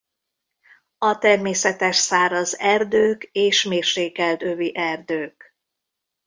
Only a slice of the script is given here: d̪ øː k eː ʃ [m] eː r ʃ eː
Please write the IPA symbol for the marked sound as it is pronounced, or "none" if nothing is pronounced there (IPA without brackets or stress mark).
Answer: m